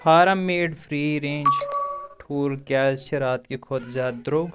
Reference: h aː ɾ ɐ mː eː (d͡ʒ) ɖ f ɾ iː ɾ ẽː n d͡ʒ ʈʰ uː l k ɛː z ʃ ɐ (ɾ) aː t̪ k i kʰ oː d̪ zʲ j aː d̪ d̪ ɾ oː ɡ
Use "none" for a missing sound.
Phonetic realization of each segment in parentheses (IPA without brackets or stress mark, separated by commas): none, ɾ